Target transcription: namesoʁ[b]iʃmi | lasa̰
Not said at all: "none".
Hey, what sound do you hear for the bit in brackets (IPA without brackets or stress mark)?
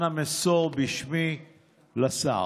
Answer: b